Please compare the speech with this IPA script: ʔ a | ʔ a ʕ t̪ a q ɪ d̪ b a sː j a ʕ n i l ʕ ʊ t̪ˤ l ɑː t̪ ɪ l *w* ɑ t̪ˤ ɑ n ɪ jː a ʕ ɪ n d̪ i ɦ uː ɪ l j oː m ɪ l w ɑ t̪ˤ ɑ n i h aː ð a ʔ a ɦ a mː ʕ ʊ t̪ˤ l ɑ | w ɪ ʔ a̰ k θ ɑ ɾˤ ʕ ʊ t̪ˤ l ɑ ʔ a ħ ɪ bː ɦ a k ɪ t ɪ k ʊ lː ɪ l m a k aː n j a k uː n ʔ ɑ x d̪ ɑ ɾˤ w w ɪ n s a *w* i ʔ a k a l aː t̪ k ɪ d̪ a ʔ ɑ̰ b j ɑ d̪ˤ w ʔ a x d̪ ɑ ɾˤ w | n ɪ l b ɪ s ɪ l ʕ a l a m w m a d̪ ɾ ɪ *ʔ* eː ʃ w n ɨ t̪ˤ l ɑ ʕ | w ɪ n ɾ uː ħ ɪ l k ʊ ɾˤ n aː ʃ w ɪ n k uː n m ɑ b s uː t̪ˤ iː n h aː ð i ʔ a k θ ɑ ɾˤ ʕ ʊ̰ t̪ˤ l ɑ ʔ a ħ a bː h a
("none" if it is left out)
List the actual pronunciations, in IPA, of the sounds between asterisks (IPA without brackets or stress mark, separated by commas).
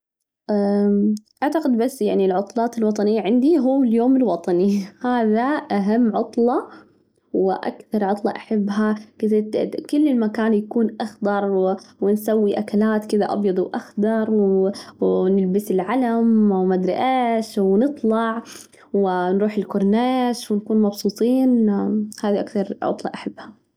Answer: w, wː, ʔ